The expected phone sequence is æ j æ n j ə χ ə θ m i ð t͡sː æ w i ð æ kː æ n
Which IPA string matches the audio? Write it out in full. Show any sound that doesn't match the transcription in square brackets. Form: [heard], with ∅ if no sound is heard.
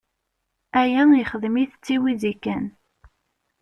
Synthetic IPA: æ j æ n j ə χ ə [ð] m i [θ] t͡sː [i] w i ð [i] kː æ n